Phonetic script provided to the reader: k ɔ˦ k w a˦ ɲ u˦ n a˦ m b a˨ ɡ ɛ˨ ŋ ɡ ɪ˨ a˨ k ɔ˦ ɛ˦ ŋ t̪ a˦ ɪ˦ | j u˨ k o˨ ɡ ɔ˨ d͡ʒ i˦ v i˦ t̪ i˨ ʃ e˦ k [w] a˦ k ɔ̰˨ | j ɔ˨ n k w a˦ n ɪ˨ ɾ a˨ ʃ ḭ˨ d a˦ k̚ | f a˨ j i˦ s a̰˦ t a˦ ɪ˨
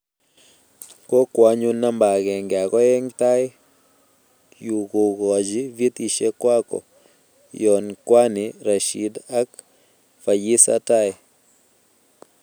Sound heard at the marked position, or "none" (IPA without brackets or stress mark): w